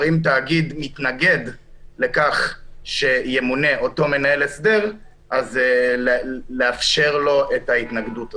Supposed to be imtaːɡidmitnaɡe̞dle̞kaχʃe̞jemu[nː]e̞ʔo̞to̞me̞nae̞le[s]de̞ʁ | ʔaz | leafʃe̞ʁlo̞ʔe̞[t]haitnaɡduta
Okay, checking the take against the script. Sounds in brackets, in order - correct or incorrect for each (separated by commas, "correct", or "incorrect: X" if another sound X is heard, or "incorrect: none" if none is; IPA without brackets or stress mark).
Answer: incorrect: n, correct, correct